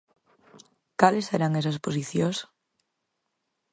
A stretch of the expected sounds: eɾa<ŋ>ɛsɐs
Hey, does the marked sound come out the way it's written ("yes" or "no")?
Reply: yes